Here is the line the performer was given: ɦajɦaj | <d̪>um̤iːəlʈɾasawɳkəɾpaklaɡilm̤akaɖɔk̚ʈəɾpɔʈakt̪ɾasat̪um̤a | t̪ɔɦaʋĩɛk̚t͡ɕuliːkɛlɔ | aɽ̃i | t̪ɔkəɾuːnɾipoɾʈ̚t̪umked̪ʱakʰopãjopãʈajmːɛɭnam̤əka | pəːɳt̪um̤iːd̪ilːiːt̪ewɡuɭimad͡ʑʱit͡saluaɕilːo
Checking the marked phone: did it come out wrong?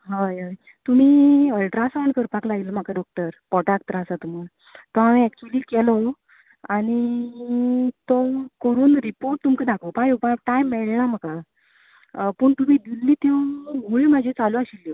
yes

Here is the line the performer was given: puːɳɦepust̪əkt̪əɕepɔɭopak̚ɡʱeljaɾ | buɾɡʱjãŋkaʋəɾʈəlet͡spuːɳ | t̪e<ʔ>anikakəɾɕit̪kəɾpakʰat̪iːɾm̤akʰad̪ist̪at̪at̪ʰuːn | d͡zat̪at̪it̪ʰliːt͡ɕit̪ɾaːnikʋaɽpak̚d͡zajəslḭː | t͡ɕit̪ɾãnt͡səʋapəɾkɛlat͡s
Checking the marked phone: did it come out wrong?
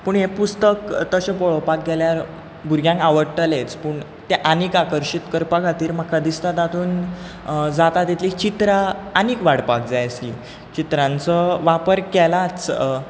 no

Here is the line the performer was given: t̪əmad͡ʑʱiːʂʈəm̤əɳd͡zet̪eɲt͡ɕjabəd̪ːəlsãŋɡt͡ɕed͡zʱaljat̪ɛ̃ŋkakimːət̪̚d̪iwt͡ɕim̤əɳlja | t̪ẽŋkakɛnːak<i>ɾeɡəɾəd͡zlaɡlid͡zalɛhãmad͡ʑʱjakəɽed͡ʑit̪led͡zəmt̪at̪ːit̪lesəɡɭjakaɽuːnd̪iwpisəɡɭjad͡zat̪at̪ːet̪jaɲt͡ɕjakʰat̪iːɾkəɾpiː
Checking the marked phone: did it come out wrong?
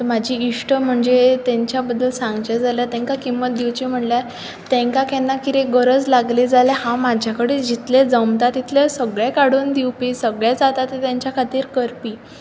no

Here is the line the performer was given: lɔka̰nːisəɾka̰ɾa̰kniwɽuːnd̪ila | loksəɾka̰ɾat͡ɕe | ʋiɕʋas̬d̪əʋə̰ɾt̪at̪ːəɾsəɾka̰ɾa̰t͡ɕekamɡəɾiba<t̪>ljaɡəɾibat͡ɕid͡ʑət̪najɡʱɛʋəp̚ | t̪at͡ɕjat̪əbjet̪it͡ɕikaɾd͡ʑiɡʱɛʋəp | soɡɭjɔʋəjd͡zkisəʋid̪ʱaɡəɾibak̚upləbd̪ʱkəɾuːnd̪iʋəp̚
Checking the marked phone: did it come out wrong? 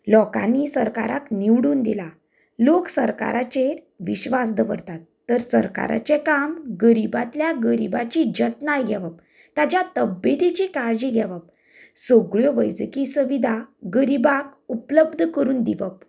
no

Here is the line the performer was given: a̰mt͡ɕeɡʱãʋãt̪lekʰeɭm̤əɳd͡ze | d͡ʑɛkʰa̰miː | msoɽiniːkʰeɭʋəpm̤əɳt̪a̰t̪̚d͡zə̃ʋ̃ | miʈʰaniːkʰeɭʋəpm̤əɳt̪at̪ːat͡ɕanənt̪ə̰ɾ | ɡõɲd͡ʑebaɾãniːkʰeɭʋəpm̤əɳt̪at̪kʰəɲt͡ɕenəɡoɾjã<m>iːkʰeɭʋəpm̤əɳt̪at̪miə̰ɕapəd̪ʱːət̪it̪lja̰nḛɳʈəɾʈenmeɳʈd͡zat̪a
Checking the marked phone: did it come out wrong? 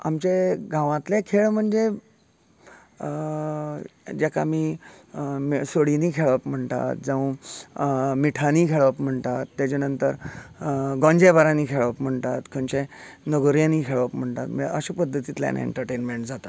yes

